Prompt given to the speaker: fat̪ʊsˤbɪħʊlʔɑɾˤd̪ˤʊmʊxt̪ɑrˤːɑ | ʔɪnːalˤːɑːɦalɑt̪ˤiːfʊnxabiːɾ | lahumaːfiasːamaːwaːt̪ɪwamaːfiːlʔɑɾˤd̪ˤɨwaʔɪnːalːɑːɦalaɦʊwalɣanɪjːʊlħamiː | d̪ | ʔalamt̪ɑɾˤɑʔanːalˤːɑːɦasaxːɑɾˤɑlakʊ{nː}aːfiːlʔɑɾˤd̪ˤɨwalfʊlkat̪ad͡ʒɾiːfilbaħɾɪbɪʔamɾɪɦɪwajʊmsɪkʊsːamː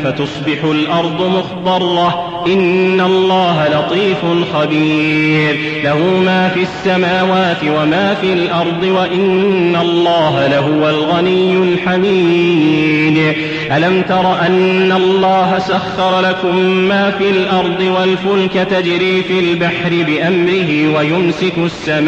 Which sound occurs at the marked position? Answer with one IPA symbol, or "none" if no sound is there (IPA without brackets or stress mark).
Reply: mː